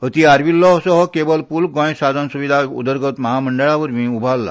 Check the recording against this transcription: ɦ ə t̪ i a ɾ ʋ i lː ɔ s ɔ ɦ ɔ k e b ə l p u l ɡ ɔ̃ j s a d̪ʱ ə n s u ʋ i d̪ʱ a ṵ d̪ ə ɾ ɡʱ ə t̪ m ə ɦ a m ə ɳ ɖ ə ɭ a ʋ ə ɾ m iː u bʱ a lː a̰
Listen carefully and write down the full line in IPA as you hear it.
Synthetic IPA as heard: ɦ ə t̪ i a ɾ ʋ i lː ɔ s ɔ ɦ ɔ k e b ə l p u l ɡ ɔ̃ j s a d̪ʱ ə n s u ʋ i d̪ʱ a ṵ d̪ ə ɾ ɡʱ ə t̪ m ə ɦ a m ə ɳ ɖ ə ɭ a ʋ ə ɾ m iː u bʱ a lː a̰